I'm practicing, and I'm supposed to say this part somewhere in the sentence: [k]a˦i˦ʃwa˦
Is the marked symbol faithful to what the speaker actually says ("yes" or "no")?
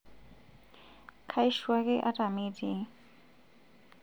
no